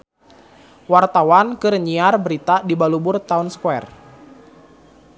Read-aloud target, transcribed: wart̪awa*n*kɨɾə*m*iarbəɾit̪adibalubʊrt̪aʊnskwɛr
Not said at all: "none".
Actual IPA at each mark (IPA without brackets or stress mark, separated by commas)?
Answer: n, ɲ